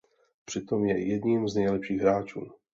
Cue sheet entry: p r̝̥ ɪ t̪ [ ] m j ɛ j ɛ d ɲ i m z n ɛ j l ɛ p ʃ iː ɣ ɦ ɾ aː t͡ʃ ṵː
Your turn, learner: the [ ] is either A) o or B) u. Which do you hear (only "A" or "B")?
A